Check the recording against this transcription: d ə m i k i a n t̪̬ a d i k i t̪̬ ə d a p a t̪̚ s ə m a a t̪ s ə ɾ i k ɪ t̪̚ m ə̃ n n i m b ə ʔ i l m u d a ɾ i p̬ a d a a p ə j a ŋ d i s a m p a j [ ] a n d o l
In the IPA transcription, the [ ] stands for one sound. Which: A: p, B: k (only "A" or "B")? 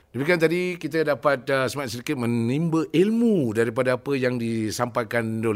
B